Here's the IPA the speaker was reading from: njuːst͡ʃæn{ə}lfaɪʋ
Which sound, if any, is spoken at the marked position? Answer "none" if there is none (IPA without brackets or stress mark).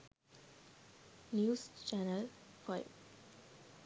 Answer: ə